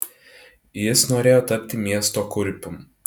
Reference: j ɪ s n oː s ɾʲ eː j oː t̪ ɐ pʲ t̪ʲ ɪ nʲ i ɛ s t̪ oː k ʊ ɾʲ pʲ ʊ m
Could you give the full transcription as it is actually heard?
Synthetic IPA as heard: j ɪ s n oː ɾʲ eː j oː t̪ ɐ pʲ t̪ʲ ɪ mʲ i ɛ s t̪ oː k ʊ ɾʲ pʲ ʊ m